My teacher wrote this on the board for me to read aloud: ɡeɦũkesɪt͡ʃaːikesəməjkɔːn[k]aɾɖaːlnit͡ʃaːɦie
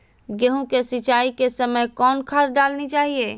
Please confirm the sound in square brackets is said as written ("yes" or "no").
no